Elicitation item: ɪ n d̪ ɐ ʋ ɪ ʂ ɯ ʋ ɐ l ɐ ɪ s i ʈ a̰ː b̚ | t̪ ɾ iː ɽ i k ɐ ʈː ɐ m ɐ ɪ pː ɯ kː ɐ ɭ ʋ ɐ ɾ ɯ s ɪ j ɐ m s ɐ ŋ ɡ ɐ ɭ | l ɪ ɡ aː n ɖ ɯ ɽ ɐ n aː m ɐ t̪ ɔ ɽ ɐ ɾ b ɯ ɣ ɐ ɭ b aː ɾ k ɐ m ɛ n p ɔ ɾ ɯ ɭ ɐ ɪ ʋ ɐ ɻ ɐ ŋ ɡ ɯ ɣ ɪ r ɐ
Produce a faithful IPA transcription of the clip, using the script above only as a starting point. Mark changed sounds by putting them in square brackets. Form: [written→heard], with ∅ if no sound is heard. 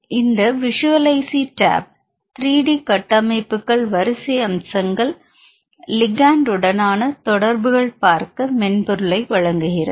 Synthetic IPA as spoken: ɪ n d̪ ɐ ʋ ɪ ʂ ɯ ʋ ɐ l ɐ ɪ s i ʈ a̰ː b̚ | t̪ ɾ iː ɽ i k ɐ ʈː ɐ m ɐ ɪ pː ɯ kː ɐ ɭ ʋ ɐ ɾ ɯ s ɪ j ɐ m s ɐ ŋ ɡ ɐ ɭ | l ɪ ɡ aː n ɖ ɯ ɽ ɐ n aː [m→n] ɐ t̪ ɔ ɽ ɐ ɾ b ɯ ɣ ɐ ɭ [b→p] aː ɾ k ɐ m ɛ n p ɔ ɾ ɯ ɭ ɐ ɪ ʋ ɐ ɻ ɐ ŋ ɡ ɯ ɣ ɪ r ɐ